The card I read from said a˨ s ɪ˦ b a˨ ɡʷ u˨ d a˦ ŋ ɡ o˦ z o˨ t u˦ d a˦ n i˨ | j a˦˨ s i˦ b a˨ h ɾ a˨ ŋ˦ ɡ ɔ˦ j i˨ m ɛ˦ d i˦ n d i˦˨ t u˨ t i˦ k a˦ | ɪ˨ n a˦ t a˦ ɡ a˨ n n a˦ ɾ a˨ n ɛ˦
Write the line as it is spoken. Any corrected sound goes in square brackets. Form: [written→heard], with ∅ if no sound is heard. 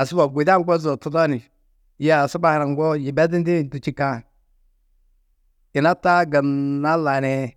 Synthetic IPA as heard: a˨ s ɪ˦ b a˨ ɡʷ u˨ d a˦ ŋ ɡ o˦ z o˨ t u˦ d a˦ n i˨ | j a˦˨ s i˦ b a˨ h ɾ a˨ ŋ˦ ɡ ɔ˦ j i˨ [m→b] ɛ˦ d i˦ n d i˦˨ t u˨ [t→t͡ʃ] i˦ k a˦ | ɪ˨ n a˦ t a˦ ɡ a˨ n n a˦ [ɾ→l] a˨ n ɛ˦